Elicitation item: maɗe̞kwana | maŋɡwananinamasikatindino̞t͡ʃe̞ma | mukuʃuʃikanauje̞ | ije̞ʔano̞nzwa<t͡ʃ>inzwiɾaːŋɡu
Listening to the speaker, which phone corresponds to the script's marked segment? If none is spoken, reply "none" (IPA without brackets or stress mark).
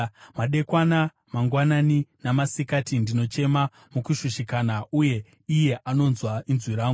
none